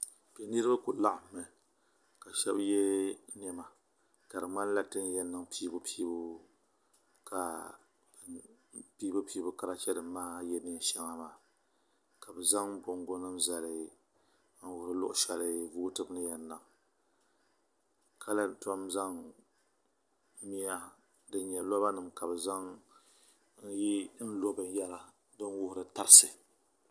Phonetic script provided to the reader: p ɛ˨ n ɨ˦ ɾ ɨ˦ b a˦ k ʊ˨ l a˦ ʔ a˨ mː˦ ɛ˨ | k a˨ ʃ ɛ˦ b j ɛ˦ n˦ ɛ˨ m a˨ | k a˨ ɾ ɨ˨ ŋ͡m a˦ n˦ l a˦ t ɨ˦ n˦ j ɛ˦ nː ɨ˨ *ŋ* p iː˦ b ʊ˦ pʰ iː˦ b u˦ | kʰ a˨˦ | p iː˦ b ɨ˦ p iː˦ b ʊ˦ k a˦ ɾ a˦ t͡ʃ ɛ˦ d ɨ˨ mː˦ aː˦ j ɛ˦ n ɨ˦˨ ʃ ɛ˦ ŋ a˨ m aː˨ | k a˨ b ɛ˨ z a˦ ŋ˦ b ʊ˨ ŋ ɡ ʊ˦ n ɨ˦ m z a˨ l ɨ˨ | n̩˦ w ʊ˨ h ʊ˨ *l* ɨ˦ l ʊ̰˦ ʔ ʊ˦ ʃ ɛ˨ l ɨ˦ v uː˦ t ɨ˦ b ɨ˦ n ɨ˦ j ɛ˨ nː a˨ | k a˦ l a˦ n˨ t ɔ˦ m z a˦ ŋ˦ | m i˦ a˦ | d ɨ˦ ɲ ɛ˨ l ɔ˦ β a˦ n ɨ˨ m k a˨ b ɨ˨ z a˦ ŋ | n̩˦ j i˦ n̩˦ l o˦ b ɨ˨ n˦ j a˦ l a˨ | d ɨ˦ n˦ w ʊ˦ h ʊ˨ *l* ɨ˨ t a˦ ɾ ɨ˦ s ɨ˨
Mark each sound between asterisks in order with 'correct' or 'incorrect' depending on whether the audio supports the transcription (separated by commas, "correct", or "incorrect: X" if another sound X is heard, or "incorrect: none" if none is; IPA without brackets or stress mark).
correct, incorrect: ɾ, incorrect: ɾ